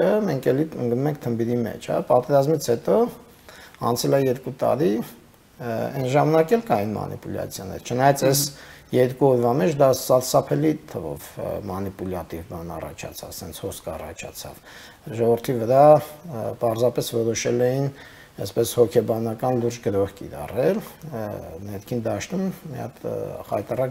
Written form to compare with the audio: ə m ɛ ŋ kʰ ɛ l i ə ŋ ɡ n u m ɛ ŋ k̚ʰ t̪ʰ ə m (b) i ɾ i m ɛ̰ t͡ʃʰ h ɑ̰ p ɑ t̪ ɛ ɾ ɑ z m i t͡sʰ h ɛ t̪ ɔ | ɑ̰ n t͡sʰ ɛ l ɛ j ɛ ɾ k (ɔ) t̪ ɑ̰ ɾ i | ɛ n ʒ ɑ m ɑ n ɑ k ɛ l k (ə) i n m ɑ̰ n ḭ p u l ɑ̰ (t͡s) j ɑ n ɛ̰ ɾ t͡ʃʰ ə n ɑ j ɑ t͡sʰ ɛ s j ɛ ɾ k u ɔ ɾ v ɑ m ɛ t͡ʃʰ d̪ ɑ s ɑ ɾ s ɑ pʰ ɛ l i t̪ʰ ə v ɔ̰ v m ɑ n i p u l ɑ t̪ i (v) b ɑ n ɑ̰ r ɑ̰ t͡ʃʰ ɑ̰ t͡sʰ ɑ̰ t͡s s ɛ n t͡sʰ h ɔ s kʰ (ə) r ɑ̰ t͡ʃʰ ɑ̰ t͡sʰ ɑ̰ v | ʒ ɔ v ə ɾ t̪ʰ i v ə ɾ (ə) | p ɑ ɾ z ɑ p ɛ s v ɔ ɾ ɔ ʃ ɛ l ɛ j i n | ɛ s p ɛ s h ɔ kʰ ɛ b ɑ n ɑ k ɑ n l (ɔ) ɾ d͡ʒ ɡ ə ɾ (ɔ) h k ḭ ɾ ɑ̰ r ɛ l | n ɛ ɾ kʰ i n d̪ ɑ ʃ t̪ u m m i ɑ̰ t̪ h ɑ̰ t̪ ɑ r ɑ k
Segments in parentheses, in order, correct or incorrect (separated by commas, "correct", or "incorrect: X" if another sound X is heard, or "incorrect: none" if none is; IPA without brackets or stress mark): correct, incorrect: u, incorrect: ɑ, incorrect: t͡sʰ, correct, incorrect: ɑ, incorrect: ɑ, incorrect: u, correct